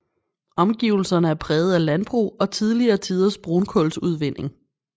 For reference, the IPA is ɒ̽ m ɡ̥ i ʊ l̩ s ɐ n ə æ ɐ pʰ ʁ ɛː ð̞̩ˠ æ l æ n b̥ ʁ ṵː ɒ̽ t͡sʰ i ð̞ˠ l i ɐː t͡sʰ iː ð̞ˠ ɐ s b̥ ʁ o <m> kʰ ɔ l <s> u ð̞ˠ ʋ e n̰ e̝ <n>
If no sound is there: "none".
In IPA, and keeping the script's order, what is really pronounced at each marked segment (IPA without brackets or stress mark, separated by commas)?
n, s, ŋ